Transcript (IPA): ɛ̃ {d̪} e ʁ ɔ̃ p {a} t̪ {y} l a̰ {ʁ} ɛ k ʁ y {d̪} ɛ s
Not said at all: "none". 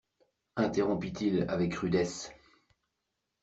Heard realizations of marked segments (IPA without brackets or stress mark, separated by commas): t̪, i, i, v, d̪